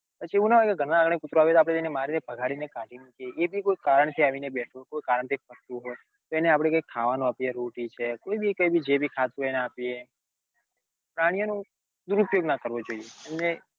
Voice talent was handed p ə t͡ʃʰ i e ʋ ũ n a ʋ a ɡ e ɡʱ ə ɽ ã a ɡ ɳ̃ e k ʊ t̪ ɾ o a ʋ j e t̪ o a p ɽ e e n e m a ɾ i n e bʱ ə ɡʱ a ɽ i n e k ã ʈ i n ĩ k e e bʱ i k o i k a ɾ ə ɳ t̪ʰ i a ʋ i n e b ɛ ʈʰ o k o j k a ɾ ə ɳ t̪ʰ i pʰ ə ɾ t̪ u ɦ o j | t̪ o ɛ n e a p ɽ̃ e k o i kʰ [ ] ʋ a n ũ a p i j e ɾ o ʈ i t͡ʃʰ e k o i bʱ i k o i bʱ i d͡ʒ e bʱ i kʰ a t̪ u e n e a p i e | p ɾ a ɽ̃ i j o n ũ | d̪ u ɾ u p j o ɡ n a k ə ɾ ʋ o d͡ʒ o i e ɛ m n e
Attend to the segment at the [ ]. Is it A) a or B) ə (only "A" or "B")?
A